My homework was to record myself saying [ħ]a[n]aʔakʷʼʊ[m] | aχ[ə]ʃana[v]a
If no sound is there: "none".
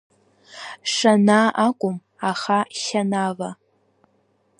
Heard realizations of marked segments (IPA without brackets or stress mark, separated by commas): ʂ, n, m, a, v